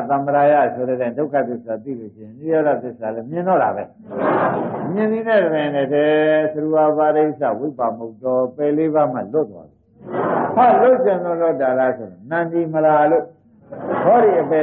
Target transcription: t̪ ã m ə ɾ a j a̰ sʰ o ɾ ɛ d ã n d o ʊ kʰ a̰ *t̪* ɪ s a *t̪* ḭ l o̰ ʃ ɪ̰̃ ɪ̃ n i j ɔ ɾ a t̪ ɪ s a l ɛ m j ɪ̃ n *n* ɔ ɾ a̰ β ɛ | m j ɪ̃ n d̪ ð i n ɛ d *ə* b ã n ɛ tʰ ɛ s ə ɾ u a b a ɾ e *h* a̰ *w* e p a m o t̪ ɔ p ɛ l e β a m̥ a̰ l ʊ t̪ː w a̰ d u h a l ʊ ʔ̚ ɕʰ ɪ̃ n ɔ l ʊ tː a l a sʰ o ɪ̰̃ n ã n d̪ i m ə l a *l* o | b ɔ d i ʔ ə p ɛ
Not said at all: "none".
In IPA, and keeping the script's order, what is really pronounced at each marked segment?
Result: t̪, t̪, d, ə, s, w, l

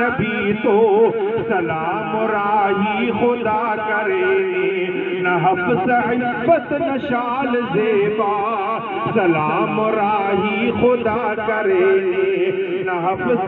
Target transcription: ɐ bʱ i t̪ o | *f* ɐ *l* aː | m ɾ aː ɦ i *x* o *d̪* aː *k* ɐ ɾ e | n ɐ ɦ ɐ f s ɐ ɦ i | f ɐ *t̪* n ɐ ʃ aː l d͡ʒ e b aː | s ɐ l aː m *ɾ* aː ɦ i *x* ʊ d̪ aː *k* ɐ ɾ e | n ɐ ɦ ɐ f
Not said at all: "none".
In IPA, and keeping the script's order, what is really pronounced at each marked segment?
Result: s, l, x, d̪, k, t̪, ɾ, x, k

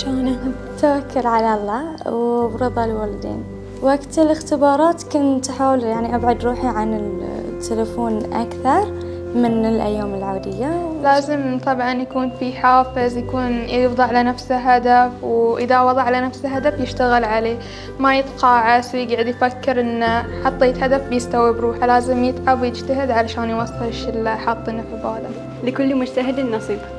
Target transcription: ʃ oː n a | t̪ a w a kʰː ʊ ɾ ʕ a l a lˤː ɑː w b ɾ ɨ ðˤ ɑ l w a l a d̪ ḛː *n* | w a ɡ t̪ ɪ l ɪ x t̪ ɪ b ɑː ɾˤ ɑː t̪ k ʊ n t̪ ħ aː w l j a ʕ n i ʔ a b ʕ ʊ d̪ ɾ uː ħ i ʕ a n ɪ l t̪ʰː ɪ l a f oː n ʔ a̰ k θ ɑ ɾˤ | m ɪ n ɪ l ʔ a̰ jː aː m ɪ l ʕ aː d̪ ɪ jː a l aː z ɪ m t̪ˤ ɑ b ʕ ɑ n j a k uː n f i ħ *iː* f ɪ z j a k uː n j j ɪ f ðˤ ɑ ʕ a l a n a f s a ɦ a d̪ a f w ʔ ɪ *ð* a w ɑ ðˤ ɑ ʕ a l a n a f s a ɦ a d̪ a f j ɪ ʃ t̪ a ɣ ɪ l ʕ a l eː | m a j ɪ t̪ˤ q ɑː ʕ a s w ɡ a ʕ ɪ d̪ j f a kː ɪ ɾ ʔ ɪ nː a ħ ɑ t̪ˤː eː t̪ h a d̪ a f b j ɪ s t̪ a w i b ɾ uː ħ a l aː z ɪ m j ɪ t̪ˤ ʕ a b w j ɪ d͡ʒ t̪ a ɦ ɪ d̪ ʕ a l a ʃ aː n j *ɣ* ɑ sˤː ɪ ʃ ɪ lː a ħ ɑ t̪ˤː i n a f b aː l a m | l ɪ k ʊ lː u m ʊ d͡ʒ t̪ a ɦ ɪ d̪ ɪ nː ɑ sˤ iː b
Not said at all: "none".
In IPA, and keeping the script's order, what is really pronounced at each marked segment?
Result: n, aː, ð, w

